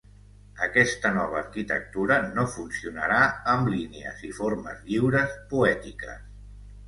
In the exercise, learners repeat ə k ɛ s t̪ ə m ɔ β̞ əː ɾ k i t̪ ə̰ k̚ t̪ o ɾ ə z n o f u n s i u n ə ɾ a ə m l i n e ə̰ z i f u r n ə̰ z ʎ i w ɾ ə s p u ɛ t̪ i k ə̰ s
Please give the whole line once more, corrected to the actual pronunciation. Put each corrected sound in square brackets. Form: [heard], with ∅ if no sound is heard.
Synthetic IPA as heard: ə k ɛ s t̪ ə [n] ɔ β̞ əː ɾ k i t̪ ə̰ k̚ t̪ [u] ɾ ə [∅] n o f u n s i u n ə ɾ a ə m l i n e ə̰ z i f [o] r [m] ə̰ z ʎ i w ɾ ə s p u ɛ t̪ i k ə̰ s